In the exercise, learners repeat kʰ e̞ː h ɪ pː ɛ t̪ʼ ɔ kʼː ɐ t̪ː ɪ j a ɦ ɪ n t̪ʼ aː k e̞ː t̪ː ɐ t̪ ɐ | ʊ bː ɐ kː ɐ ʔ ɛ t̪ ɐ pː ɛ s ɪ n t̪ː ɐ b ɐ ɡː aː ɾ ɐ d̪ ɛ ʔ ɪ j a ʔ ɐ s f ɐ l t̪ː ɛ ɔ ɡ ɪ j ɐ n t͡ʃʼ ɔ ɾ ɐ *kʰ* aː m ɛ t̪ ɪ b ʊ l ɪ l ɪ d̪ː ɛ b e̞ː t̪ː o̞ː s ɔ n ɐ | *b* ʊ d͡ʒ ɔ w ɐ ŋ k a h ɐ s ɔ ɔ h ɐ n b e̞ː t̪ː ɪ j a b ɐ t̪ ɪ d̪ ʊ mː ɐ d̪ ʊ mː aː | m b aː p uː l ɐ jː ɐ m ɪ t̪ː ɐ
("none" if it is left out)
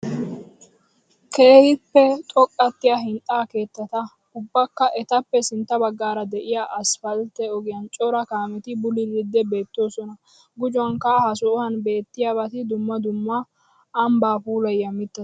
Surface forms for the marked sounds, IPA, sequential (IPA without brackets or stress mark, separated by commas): k, ɡ